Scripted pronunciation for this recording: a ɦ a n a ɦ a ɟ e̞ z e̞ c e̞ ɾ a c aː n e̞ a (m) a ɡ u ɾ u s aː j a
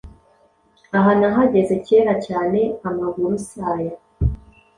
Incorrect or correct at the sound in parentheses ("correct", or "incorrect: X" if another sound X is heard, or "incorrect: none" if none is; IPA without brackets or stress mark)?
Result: correct